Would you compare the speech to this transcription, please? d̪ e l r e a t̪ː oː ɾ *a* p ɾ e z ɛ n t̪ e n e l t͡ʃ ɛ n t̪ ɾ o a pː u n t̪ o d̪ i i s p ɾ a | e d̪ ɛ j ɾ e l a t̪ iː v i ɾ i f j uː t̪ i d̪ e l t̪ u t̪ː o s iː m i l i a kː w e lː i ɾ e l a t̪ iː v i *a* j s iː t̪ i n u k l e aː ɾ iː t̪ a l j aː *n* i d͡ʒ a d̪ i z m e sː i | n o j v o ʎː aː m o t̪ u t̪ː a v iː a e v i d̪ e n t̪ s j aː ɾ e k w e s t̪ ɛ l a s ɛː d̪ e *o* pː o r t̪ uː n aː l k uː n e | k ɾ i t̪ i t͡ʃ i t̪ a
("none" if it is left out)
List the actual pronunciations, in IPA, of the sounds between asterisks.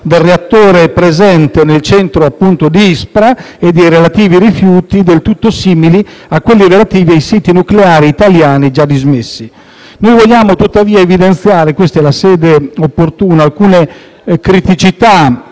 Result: e, a, n, o

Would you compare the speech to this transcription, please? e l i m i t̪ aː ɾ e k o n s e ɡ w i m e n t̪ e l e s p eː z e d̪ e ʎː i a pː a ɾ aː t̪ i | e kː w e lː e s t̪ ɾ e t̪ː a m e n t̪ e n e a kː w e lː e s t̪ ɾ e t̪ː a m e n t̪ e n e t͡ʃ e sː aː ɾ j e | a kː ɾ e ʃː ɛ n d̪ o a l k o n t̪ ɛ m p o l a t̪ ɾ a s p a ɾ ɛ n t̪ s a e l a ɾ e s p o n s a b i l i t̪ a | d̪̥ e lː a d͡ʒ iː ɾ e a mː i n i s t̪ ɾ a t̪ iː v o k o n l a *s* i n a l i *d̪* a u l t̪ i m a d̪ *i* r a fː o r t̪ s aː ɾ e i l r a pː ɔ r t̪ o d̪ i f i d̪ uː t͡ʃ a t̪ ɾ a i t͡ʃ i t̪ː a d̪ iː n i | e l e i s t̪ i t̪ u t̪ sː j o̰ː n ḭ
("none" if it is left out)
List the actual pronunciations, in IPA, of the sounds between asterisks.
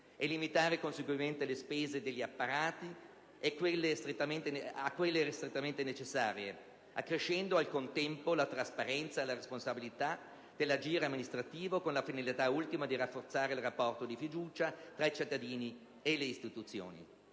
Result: f, t̪, i

